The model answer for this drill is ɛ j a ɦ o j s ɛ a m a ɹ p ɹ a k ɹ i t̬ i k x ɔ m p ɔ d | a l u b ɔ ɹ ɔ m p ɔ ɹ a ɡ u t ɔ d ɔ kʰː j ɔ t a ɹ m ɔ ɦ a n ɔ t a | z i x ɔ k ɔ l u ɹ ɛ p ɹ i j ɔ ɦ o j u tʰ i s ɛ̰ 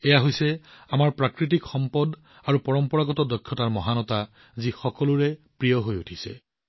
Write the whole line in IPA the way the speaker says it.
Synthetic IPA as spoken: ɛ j a ɦ o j s ɛ a m a ɹ p ɹ a k ɹ i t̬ i k x ɔ m p ɔ d | a ɹ u p ɔ ɹ ɔ m p ɔ ɹ a ɡ ɔ t ɔ d ɔ kʰː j ɔ t a ɹ m ɔ ɦ a n ɔ t a | z i x ɔ k ɔ l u ɹ ɛ p ɹ i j ɔ ɦ o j u tʰ i s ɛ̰